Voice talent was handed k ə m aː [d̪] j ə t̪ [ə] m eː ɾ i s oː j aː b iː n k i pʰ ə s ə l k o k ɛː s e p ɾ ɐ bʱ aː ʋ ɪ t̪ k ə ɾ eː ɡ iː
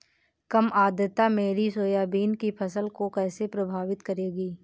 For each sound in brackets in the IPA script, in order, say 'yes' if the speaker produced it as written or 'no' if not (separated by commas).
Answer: yes, no